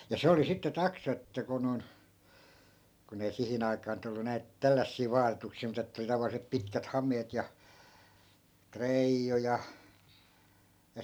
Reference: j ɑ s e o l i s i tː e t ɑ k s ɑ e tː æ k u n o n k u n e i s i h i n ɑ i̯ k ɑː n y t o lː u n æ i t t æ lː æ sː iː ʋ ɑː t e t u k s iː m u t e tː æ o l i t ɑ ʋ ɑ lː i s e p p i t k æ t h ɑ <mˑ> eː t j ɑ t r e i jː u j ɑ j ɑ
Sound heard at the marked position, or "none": mˑ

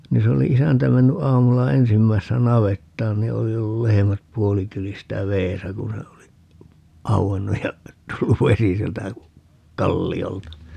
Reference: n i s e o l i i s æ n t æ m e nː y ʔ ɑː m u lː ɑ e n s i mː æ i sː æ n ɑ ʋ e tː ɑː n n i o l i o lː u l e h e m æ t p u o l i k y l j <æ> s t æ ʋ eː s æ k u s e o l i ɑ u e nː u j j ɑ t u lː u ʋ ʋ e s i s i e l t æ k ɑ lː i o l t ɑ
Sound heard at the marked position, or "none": i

